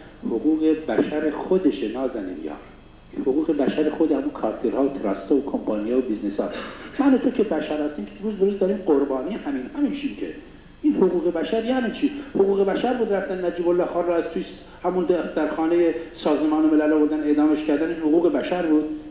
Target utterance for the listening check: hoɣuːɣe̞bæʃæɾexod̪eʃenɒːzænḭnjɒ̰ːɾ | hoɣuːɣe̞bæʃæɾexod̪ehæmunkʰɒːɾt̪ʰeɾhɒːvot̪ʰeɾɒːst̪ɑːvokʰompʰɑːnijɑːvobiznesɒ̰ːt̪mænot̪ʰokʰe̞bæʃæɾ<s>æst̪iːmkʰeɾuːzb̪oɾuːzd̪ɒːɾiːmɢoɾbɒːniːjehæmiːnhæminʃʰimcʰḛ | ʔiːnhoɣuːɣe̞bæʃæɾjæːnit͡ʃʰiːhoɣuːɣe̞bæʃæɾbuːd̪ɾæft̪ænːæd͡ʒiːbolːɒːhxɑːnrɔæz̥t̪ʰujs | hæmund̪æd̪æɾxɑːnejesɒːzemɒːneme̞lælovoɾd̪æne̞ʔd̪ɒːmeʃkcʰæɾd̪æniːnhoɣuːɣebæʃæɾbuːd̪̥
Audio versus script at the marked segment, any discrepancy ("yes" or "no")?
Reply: yes